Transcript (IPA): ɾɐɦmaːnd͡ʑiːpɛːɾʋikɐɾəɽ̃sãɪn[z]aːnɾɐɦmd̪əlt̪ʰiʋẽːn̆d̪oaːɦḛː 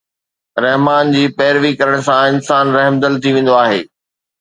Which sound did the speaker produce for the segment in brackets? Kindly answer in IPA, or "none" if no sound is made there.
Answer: s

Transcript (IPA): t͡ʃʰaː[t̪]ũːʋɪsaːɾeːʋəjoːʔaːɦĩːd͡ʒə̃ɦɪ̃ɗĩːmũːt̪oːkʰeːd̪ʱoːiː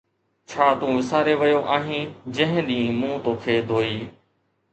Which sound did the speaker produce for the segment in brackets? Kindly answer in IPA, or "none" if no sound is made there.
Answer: t̪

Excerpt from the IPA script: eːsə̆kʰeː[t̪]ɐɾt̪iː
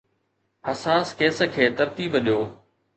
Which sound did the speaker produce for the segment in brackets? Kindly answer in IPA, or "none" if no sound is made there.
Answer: t̪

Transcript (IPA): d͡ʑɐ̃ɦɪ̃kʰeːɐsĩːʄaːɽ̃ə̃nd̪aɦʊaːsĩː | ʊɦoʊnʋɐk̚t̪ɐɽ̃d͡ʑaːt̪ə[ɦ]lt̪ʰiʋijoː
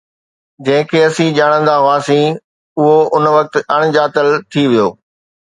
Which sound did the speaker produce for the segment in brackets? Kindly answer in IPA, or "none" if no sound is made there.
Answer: none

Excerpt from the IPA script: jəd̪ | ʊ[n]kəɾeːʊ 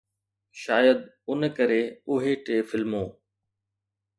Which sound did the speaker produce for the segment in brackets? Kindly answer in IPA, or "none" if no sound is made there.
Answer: n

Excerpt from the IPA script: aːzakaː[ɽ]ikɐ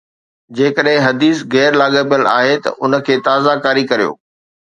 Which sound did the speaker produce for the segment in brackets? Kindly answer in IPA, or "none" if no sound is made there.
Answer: ɾ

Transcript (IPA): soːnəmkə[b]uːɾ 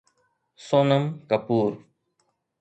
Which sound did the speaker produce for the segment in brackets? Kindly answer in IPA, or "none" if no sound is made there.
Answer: p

